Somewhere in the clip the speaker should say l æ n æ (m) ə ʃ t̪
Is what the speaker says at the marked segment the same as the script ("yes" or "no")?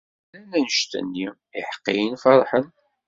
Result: no